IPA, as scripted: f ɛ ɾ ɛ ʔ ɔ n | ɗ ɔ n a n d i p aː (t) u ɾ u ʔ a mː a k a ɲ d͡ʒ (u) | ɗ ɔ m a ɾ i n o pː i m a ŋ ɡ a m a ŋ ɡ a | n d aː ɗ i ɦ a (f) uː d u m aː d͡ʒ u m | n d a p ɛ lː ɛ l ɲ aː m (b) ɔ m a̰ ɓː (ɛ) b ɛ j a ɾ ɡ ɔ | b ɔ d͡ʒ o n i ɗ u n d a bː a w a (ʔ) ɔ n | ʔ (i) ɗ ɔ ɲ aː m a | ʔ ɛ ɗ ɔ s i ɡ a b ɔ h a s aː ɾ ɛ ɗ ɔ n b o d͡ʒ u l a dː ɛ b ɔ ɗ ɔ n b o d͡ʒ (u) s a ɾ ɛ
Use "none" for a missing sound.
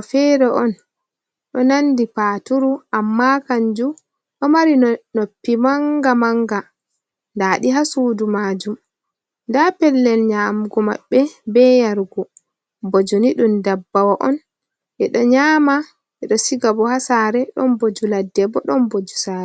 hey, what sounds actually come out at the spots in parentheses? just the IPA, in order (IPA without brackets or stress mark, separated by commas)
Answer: t, u, s, ɡ, ɛ, ʔ, ɛ, u